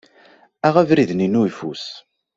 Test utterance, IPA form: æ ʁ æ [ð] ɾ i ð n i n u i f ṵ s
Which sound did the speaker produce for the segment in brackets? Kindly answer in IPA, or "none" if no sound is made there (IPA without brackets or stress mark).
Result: v